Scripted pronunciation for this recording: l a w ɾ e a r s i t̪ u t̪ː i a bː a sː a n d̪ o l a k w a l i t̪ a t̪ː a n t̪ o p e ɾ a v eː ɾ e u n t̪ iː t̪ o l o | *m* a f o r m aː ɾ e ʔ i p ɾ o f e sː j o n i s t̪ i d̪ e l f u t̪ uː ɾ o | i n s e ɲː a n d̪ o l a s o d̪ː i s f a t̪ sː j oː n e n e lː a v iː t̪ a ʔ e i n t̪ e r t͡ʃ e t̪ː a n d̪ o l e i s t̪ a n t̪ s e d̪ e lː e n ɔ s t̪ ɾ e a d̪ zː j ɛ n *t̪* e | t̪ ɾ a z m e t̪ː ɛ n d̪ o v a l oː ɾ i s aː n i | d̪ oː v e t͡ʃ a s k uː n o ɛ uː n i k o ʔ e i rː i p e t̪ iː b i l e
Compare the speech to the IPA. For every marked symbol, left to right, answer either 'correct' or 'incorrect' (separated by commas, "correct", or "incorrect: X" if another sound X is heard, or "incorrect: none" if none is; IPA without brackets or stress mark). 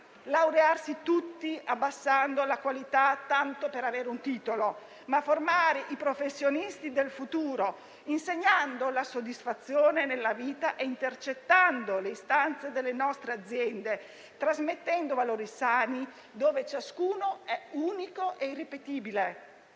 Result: correct, incorrect: d̪